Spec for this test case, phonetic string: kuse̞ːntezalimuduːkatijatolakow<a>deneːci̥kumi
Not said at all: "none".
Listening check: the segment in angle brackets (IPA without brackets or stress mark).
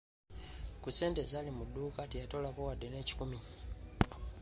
a